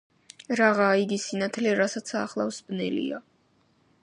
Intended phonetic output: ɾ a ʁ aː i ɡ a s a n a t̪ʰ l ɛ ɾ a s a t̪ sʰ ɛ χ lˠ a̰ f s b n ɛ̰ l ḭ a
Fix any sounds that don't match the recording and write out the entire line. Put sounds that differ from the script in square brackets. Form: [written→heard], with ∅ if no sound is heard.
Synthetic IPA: ɾ a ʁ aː i ɡ [a→i] s [a→i] n a t̪ʰ l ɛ ɾ a s a t̪ sʰ [ɛ→a] χ lˠ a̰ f s b n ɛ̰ l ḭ a